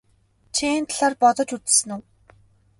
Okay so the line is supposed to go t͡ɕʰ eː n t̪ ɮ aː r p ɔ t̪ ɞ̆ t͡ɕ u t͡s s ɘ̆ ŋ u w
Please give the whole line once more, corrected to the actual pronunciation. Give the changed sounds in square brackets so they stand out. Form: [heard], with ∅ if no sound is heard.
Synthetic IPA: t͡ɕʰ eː n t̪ ɮ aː r p ɔ t̪ ɞ̆ t͡ɕ u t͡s s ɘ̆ [n] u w